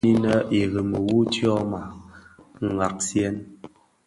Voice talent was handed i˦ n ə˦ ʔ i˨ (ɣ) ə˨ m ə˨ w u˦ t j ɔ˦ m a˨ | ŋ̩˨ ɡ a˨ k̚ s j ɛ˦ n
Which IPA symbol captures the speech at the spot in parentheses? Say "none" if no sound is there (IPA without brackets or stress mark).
ɣ